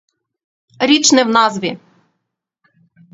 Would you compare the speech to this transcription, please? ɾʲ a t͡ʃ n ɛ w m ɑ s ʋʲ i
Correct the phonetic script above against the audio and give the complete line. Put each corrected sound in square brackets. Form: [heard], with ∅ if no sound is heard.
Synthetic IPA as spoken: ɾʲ [i] t͡ʃ n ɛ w [n] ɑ [z] ʋʲ i